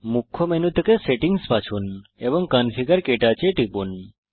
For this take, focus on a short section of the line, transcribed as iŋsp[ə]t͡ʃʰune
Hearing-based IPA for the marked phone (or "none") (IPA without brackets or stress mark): a